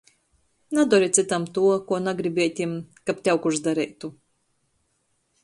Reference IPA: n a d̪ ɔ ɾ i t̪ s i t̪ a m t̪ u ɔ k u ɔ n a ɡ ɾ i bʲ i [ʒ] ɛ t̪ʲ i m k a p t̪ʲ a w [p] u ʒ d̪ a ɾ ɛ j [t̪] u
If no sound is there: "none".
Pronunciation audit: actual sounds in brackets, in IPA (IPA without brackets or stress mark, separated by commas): none, k, t̪